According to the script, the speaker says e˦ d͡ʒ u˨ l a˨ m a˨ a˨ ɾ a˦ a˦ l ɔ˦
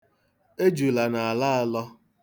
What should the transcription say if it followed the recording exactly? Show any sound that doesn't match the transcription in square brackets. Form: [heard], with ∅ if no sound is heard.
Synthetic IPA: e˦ d͡ʒ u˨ l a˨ [n] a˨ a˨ [l] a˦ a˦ l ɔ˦